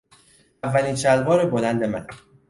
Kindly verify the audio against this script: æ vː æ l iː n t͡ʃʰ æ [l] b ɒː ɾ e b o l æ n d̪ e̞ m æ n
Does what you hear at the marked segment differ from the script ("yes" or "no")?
no